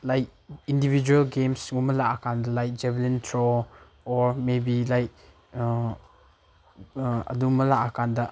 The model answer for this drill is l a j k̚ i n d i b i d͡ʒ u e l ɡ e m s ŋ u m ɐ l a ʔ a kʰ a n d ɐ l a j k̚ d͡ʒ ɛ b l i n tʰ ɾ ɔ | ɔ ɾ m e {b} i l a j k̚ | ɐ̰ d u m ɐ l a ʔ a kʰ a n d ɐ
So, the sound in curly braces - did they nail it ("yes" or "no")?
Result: yes